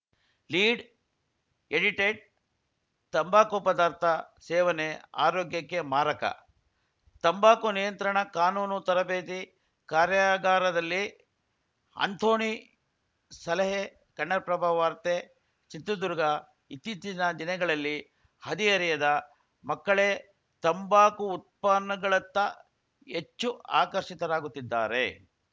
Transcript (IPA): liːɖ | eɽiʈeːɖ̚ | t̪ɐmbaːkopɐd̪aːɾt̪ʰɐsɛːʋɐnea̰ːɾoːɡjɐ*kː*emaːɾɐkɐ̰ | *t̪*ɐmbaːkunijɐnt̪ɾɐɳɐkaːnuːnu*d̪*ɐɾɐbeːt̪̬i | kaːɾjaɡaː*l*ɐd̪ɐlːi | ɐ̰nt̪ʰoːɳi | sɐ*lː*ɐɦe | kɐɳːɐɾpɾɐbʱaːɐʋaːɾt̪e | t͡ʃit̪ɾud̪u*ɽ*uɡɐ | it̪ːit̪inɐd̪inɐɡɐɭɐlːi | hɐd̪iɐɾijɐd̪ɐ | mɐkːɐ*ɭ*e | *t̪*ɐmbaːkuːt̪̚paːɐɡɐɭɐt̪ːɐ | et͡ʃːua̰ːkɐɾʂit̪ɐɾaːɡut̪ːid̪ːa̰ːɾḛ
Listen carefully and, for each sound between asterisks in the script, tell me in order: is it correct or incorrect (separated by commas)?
correct, correct, incorrect, incorrect, incorrect, incorrect, correct, correct